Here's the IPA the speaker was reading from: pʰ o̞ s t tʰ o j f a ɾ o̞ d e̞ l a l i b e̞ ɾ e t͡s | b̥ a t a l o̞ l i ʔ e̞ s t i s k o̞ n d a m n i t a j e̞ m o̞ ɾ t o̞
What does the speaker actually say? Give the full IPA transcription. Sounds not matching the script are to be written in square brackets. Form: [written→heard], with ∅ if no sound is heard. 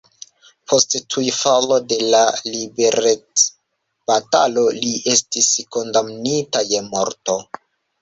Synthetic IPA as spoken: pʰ o̞ s t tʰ [o→u] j f a [ɾ→l] o̞ d e̞ l a l i b e̞ ɾ e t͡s | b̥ a t a l o̞ l i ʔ e̞ s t i s k o̞ n d a m n i t a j e̞ m o̞ ɾ t o̞